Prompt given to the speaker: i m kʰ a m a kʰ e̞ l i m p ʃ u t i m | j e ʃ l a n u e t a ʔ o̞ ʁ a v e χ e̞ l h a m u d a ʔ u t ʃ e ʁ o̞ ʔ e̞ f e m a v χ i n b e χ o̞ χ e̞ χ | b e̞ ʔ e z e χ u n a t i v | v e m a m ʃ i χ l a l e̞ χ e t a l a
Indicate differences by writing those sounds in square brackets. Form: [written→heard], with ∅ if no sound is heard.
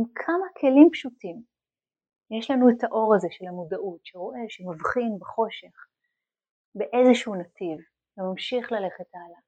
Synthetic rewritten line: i m kʰ a m a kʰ e̞ l i m p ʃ u t i m | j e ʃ l a n u e t a ʔ o̞ ʁ a [v→z] e [χ→ʃ] e̞ l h a m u d a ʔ u t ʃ e ʁ o̞ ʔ e̞ [f→ʃ] e m a v χ i n b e χ o̞ [χ→ʃ] e̞ χ | b e̞ ʔ e z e [χ→ʃ] u n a t i v | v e m a m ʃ i χ l a l e̞ χ e t a l a